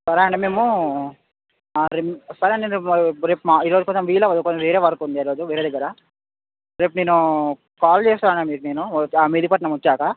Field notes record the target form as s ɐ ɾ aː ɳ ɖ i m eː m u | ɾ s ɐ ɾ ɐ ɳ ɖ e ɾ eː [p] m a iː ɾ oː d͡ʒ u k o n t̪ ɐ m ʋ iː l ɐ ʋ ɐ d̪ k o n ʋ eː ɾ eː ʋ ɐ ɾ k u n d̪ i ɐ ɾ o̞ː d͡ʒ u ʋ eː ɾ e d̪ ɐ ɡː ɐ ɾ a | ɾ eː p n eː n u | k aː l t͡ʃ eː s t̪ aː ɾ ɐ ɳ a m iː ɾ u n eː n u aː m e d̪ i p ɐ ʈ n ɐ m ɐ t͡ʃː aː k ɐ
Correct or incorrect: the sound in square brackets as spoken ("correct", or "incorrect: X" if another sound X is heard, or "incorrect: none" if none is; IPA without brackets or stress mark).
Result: correct